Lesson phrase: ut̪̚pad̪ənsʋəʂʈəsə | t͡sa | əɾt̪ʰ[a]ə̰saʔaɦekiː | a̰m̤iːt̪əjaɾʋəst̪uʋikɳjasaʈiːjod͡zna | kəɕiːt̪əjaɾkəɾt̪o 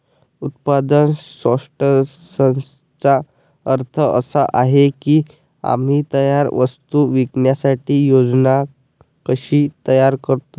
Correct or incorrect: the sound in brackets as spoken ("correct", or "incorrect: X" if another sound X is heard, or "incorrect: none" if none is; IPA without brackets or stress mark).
incorrect: ə